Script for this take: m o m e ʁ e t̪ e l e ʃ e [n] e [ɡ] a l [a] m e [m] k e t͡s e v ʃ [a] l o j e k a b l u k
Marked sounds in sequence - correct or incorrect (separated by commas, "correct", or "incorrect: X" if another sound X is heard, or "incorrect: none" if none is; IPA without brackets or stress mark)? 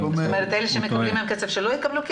incorrect: m, incorrect: k, incorrect: i, correct, incorrect: e